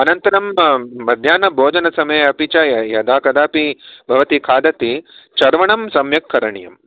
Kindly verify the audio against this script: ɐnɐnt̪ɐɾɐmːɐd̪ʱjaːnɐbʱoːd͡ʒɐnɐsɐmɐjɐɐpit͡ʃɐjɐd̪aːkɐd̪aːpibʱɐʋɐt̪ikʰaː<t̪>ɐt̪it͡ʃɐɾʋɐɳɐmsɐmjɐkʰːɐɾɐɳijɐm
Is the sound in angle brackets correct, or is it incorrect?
incorrect